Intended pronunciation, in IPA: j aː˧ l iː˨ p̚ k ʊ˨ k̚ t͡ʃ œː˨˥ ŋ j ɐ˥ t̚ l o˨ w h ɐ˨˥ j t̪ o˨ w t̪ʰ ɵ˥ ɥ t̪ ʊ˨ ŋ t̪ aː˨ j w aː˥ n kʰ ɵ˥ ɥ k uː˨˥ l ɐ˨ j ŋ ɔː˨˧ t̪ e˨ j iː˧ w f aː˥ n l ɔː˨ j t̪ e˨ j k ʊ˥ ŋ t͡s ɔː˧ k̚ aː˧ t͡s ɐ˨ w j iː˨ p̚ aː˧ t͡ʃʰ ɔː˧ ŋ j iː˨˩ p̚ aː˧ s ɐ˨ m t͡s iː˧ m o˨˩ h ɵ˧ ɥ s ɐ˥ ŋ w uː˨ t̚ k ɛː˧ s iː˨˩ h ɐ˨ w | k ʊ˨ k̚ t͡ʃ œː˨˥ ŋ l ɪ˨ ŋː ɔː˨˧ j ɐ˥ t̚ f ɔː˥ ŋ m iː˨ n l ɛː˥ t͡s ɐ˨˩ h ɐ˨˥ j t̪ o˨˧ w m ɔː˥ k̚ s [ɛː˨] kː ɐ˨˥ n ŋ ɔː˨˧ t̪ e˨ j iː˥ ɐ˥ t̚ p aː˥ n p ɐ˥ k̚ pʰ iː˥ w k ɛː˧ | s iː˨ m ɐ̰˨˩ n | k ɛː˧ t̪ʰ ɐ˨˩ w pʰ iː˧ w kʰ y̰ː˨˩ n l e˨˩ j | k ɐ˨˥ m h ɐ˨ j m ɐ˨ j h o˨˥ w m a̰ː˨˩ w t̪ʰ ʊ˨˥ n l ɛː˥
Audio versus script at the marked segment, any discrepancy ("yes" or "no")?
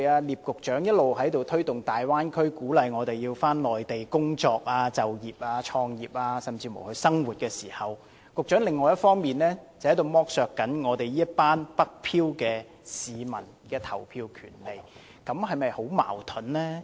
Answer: yes